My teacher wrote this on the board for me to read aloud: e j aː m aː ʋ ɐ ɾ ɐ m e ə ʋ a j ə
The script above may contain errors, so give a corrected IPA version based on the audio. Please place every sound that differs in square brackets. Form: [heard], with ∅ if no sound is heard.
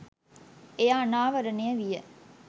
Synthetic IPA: e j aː [n] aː ʋ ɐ ɾ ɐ [n] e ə ʋ [i] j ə